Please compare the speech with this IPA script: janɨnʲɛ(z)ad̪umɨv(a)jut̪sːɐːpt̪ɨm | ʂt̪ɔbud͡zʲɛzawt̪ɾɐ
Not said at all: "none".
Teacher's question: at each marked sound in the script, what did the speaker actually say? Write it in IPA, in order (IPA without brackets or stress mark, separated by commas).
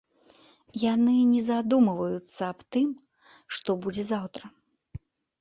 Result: z, ɐ